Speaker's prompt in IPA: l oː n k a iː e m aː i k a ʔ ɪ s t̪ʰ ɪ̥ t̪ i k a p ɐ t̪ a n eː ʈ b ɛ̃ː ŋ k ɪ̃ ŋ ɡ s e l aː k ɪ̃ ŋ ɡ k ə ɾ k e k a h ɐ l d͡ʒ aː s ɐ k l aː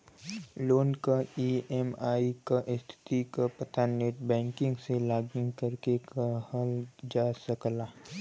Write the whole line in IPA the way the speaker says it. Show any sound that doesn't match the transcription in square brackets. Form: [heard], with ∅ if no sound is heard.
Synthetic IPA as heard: l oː n k a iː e m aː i k a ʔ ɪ s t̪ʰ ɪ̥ t̪ i k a p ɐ t̪ a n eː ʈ b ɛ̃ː ŋ k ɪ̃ ŋ ɡ s e l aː [ɡ] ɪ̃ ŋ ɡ k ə ɾ k e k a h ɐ l d͡ʒ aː s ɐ k l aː